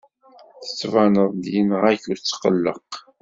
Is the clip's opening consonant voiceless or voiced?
voiceless